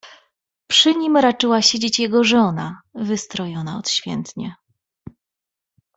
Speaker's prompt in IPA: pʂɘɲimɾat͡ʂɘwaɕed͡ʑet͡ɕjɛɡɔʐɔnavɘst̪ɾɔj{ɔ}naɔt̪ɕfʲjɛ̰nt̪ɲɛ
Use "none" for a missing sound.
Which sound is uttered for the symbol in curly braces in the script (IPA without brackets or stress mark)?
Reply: ɔ